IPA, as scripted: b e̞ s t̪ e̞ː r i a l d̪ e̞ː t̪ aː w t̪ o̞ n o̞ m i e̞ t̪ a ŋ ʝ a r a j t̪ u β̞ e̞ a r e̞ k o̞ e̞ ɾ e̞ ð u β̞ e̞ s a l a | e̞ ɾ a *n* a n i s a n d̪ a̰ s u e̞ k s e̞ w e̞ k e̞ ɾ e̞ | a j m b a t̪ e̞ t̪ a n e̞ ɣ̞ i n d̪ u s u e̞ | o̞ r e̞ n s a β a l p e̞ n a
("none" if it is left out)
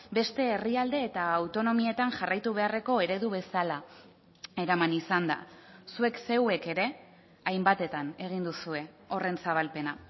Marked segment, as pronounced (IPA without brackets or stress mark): m